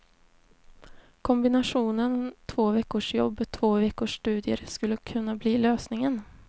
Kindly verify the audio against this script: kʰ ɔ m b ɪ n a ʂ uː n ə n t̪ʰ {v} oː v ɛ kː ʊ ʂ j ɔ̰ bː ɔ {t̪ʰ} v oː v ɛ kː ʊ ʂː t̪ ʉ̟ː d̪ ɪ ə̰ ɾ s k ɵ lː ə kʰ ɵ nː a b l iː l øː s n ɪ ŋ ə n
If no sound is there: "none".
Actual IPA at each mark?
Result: v, t̪ʰ

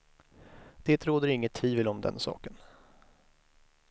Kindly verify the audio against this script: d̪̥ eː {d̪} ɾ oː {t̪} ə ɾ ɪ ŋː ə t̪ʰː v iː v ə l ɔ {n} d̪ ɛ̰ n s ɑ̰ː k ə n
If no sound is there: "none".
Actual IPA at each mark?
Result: t̪, d̪, m

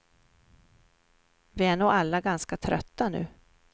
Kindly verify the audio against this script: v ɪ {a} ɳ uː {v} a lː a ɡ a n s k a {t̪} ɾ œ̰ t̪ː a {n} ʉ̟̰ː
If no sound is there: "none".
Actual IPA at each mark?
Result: æ, none, t̪ʰ, n

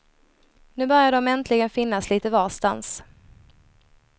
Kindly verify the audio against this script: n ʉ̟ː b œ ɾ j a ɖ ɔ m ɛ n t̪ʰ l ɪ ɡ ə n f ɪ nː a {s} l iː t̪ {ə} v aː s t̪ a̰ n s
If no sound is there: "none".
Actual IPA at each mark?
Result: s, ə

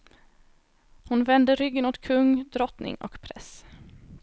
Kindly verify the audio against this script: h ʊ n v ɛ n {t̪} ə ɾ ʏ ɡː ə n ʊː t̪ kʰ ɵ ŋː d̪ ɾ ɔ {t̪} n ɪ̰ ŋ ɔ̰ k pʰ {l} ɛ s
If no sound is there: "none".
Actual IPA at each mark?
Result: d̪, t̪, ɾ

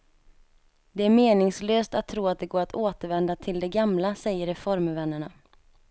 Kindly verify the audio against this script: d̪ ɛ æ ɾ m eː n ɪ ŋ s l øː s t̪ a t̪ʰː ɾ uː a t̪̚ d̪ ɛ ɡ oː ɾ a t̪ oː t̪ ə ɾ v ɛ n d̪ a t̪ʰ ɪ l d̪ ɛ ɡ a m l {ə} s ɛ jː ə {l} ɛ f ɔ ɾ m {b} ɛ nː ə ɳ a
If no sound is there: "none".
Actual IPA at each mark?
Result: a, ɾ, v

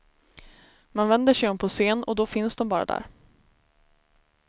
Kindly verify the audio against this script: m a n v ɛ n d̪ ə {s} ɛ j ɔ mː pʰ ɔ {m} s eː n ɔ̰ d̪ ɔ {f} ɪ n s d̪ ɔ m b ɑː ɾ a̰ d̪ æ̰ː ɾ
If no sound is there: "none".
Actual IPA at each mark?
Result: ʂ, none, f

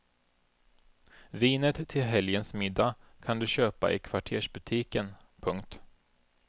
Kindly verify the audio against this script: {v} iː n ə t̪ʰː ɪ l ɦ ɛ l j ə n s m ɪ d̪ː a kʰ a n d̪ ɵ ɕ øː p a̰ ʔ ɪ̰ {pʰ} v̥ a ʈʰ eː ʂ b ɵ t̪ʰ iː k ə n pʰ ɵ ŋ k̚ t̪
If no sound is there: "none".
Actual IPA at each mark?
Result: v, kʰ

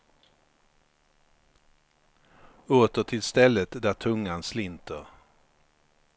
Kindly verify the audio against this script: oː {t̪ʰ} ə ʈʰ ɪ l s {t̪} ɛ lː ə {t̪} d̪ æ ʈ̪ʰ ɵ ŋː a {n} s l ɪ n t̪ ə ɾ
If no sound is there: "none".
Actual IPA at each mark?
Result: t̪, t̪, t̪, n

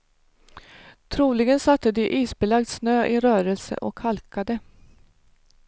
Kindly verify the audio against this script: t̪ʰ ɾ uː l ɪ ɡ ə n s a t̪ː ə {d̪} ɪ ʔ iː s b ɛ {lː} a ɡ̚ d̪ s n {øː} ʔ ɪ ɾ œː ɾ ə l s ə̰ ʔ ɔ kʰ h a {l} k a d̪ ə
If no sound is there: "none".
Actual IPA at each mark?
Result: d̪, l, øː, l

